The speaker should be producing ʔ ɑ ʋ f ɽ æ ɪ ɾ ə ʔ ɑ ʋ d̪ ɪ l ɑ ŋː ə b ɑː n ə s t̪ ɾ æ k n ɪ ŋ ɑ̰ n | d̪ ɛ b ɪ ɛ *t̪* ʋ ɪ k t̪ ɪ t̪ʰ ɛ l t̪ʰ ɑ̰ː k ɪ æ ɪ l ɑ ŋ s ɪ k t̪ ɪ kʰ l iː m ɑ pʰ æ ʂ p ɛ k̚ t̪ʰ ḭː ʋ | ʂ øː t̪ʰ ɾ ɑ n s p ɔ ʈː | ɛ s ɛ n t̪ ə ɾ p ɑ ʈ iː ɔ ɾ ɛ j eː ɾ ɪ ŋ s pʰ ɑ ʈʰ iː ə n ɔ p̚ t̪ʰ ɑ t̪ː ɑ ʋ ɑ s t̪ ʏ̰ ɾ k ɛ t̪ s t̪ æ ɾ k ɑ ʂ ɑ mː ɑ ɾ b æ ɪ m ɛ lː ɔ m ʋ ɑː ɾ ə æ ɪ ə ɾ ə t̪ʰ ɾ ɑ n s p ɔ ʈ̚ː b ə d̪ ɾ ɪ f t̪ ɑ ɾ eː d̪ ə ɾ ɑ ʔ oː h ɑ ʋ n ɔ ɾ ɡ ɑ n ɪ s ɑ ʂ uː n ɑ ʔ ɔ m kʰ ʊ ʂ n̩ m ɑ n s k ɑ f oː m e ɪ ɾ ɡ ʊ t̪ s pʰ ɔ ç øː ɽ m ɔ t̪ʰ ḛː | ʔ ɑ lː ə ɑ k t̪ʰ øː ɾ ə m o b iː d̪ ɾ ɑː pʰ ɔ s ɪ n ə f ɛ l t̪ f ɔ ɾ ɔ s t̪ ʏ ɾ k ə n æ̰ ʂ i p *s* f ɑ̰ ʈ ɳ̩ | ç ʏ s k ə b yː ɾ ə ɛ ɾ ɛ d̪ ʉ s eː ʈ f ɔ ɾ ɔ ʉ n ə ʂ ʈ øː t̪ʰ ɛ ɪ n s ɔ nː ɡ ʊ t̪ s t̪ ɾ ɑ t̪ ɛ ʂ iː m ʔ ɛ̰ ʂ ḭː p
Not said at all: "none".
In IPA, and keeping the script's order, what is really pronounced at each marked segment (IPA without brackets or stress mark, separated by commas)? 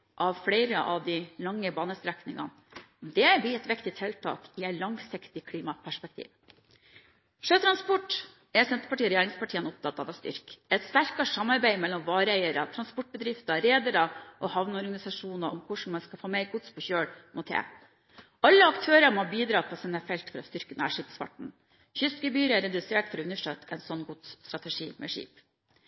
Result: t̪, s